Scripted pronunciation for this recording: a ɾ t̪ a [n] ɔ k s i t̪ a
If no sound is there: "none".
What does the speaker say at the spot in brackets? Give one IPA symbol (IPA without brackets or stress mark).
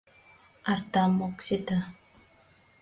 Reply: m